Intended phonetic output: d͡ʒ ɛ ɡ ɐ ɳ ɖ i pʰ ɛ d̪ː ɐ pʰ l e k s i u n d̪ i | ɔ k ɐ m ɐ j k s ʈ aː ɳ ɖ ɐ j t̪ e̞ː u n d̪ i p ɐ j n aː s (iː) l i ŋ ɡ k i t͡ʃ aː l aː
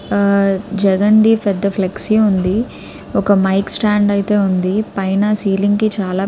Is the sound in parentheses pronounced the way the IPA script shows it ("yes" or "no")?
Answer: yes